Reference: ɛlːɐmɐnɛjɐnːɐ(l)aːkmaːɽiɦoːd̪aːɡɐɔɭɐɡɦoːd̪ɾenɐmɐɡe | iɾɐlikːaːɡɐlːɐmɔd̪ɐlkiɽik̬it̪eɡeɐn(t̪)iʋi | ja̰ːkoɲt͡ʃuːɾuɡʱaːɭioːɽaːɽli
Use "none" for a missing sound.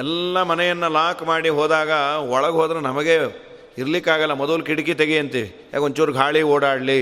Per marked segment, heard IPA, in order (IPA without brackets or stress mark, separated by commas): l, t̪